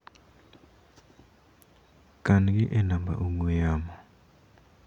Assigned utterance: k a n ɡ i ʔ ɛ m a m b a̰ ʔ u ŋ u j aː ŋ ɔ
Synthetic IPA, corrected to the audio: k a n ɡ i ʔ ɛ n a m b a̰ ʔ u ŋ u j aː m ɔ